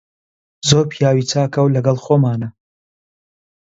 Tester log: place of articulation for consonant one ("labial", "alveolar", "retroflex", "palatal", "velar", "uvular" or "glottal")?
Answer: alveolar